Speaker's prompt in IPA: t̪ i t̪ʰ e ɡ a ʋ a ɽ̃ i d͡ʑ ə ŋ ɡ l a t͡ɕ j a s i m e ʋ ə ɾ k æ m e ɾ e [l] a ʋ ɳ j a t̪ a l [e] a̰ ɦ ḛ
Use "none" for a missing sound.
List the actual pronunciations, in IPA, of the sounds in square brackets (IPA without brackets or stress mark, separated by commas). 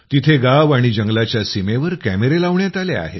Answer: l, e